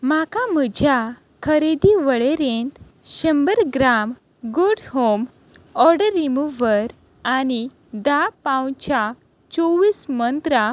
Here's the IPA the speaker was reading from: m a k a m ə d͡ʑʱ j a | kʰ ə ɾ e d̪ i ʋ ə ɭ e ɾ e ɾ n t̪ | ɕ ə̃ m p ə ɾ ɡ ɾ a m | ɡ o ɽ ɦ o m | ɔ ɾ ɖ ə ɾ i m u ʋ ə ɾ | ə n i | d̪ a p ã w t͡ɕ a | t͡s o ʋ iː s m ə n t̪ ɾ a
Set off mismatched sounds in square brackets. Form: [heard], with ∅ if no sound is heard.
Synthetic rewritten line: m a k a m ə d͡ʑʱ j a | kʰ ə ɾ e d̪ i ʋ ə ɭ e ɾ e [∅] n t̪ | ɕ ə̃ m [b] ə ɾ ɡ ɾ a m | ɡ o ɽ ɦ o m | ɔ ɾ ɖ ə ɾ i m u ʋ ə ɾ | [a] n i | d̪ a p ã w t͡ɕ a | t͡s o ʋ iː s m ə n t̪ ɾ a